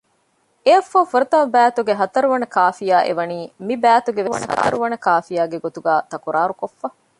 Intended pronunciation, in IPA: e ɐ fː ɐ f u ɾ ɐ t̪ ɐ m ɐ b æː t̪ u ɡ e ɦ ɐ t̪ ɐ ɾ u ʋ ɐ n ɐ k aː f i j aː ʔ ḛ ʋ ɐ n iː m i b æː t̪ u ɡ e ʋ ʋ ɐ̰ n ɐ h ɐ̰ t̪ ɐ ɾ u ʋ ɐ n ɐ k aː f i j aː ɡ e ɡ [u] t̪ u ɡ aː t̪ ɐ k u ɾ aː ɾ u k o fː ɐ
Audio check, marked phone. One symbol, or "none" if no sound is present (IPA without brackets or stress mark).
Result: o